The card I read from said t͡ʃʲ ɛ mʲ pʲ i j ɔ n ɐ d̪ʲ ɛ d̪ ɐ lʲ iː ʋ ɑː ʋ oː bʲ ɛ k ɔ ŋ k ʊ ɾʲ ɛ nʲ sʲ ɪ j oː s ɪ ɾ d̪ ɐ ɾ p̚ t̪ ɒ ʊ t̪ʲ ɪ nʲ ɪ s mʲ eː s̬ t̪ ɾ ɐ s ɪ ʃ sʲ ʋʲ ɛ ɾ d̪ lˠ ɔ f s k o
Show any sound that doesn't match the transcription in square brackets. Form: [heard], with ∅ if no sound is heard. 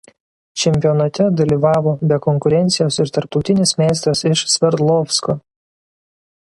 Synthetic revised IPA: t͡ʃʲ ɛ mʲ pʲ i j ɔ n ɐ [t̪ʲ] ɛ d̪ ɐ lʲ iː ʋ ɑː ʋ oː bʲ ɛ k ɔ ŋ k ʊ ɾʲ ɛ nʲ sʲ ɪ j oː s ɪ ɾ [t̪] ɐ ɾ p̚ t̪ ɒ ʊ t̪ʲ ɪ nʲ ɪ s mʲ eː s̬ t̪ ɾ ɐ s ɪ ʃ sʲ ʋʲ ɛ ɾ d̪ lˠ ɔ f s k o